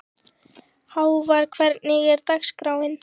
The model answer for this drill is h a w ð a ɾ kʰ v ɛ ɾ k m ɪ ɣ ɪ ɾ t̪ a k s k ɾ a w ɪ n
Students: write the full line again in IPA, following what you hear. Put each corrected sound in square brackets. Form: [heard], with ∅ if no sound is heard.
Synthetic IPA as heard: h a w [v] a ɾ kʰ v ɛ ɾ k [n] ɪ ɣ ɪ ɾ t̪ a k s k ɾ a w ɪ n